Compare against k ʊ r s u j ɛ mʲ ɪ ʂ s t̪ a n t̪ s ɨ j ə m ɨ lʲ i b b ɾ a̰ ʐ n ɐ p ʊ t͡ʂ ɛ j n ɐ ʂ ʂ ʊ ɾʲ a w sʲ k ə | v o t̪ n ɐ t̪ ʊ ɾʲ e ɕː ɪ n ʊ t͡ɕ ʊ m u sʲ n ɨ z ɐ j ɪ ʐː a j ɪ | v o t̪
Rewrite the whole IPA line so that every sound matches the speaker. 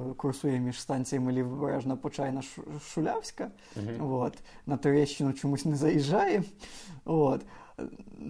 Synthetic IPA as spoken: k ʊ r s u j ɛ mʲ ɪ ʂ s t̪ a n t̪ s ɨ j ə m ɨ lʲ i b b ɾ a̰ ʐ n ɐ p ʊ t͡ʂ a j n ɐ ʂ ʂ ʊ lʲ a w sʲ k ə | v o t̪ n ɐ t̪ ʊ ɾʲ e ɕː ɪ n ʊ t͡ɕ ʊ m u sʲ n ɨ z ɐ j ɪ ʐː a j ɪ | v o t̪